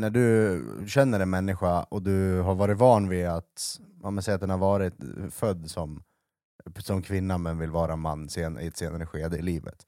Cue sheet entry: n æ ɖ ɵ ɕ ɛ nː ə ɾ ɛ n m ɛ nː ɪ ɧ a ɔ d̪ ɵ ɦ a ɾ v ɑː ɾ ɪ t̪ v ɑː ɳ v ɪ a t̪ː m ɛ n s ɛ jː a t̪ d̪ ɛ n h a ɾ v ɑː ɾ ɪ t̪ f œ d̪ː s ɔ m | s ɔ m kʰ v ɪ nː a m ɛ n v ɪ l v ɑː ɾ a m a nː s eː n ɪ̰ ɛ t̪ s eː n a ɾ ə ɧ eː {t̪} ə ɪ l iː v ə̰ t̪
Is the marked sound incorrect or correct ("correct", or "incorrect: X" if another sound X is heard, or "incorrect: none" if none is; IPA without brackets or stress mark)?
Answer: incorrect: d̪